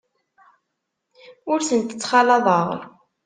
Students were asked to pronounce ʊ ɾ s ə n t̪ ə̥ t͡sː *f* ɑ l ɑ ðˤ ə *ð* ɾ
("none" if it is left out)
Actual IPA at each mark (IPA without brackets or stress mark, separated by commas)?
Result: χ, ʁ